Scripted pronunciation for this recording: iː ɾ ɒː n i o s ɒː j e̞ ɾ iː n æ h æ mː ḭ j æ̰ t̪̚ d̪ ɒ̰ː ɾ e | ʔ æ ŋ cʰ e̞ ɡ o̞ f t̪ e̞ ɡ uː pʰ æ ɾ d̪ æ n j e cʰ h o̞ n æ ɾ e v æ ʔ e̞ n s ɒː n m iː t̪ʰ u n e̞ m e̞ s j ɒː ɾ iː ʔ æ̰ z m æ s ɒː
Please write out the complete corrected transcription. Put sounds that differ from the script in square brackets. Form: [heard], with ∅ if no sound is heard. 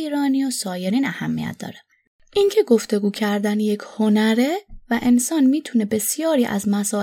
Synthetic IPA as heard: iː ɾ ɒː n i o s ɒː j e̞ ɾ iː n æ h æ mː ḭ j æ̰ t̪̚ d̪ ɒ̰ː ɾ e | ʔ [i] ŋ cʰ e̞ ɡ o̞ f t̪ e̞ ɡ uː [cʰ] æ ɾ d̪ æ n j e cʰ h o̞ n æ ɾ e v æ ʔ e̞ n s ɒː n m iː t̪ʰ u n e̞ [b] e̞ s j ɒː ɾ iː ʔ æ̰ z m æ s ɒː